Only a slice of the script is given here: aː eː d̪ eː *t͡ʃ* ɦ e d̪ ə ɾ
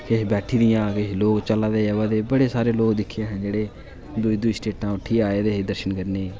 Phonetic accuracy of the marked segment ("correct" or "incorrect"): incorrect